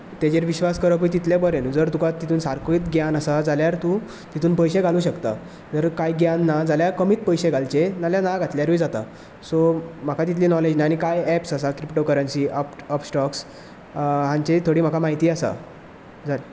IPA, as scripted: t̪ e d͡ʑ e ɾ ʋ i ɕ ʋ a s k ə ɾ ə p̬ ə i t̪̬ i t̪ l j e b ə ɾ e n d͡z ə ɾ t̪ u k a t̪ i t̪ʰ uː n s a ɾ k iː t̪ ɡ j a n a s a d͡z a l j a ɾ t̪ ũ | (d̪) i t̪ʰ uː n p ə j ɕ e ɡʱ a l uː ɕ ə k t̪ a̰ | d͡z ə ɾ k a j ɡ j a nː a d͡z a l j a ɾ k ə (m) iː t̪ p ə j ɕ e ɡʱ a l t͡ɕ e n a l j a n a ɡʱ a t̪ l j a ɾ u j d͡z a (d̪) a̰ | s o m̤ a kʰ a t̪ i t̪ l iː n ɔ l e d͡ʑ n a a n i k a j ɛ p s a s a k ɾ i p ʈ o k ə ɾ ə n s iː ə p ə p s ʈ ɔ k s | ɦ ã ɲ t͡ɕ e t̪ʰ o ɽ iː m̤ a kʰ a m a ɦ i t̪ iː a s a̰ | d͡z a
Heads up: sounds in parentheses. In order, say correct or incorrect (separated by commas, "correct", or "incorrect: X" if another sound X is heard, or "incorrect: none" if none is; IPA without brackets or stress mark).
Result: incorrect: t̪, correct, incorrect: t̪